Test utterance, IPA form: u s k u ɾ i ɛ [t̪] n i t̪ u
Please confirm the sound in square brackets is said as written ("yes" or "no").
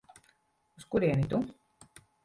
no